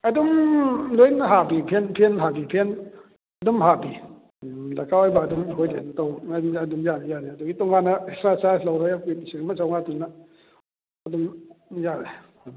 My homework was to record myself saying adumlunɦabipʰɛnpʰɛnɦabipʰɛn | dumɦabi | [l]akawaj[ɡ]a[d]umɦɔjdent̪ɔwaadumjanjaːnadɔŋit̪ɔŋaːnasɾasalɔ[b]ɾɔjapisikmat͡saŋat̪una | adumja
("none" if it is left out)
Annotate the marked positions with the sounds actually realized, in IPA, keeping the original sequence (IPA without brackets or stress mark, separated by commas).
l, b, d, w